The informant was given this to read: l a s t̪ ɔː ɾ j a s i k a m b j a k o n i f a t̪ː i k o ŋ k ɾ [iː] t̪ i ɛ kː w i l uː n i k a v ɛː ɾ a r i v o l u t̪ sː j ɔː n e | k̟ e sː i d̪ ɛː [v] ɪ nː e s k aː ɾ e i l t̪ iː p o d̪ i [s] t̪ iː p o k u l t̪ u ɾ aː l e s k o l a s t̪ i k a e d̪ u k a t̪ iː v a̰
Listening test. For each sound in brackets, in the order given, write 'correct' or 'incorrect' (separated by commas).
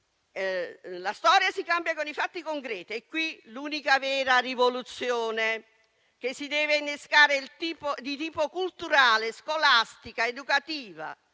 incorrect, correct, incorrect